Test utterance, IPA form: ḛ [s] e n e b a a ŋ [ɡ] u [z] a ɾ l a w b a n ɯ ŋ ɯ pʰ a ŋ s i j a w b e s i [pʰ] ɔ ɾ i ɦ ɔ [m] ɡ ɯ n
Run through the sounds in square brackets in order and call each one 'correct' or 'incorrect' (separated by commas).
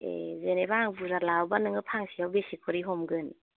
incorrect, incorrect, correct, incorrect, correct